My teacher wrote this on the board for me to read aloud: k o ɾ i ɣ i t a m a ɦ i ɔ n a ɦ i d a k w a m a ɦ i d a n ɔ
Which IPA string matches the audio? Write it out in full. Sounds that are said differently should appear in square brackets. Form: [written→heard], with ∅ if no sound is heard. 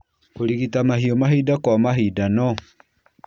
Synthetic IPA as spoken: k o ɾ i ɣ i t a m a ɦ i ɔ [n→m] a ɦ i d a k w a m a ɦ i d a n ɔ